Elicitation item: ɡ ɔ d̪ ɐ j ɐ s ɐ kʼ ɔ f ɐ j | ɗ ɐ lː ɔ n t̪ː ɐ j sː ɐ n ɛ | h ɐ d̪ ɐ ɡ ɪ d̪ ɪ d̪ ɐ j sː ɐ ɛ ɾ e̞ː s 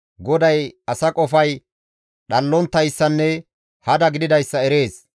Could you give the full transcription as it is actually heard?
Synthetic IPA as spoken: ɡ ɔ d̪ ɐ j ɐ s ɐ kʼ ɔ f ɐ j | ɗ ɐ lː ɔ n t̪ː ɐ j sː ɐ nː ɛ | h ɐ d̪ ɐ ɡ ɪ d̪ ɪ d̪ ɐ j sː ɐ ɛ ɾ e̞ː s